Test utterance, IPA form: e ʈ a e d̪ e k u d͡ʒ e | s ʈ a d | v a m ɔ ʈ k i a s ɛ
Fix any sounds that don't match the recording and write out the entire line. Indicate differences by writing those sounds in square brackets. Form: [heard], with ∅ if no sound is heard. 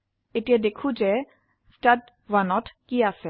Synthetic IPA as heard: e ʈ [i] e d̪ e [kʰ] u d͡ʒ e | s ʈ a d | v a [n] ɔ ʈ k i a s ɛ